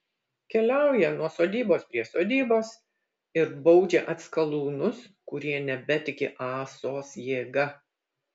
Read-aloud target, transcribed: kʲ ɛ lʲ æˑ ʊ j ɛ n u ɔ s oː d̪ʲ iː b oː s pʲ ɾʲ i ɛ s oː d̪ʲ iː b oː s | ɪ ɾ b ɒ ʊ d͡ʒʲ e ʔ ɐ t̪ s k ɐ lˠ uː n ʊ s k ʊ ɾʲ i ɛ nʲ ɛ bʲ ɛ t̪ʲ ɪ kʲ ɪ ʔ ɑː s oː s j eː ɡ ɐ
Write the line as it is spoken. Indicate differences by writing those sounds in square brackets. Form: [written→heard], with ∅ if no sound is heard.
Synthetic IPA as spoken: kʲ ɛ lʲ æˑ ʊ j ɛ n u ɔ s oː d̪ʲ iː b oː s pʲ ɾʲ i ɛ s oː d̪ʲ iː b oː s | ɪ ɾ b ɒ ʊ d͡ʒʲ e ʔ ɐ t̪ s k ɐ lˠ uː n ʊ s k ʊ ɾʲ i ɛ nʲ ɛ bʲ ɛ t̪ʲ ɪ kʲ ɪ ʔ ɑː s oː s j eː ɡ ɐ